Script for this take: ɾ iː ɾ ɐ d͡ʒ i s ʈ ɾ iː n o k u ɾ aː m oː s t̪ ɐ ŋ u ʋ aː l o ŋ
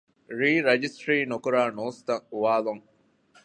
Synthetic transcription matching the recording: ɾ iː ɾ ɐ d͡ʒ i s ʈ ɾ iː n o k u ɾ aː n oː s t̪ ɐ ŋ u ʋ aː l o ŋ